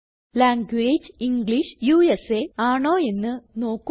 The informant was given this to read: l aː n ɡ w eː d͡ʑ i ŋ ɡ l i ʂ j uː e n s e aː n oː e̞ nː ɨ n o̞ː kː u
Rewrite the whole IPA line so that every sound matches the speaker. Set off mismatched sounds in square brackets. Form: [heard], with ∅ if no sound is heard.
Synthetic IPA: l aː [ŋ] ɡ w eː d͡ʑ i ŋ ɡ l i ʂ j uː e [∅] s e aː [ɳ] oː e̞ nː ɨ n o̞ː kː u